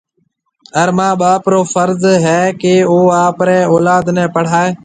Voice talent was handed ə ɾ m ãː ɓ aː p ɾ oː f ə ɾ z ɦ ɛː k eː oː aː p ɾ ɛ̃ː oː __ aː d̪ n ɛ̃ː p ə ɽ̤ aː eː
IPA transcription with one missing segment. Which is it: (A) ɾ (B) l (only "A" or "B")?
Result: B